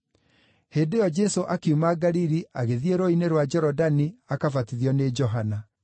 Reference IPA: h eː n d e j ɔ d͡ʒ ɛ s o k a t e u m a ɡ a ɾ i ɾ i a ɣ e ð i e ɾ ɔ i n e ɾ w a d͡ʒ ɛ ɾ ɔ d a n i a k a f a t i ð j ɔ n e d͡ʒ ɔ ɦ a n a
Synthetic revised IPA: h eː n d e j ɔ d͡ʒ ɛ s o ʔ a k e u m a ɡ a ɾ i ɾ i a ɣ e ð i e ɾ o i n e ɾ w a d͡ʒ ɛ ɾ ɔ d a n i a k a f a t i ð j ɔ n e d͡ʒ ɔ ɦ a n a